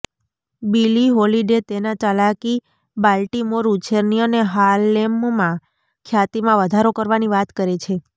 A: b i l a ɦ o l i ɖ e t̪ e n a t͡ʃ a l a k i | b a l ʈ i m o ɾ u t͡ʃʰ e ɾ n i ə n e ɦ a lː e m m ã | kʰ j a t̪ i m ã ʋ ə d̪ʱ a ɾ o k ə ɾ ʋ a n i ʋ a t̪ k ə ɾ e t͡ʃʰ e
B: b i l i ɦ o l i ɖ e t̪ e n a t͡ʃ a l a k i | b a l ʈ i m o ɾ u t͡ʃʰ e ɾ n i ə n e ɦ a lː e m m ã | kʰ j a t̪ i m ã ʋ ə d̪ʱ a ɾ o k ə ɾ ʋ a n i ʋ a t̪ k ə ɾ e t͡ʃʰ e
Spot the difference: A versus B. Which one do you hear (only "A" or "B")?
B